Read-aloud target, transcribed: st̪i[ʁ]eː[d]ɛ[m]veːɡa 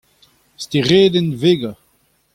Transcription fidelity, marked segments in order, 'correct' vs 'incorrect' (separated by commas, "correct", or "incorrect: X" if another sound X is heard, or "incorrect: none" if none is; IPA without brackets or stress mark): correct, correct, incorrect: n